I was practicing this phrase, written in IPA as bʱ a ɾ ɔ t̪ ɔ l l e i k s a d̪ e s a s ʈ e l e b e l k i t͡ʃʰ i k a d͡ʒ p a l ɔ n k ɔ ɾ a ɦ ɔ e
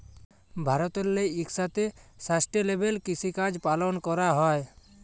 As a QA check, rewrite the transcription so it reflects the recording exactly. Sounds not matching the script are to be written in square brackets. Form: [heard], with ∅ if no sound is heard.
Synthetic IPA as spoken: bʱ a ɾ ɔ t̪ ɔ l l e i k s a [t̪] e s a s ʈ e l e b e l k i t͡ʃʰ i k a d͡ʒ p a l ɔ n k ɔ ɾ a ɦ ɔ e